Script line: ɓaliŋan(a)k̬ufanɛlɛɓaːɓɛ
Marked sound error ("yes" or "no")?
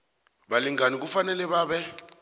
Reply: yes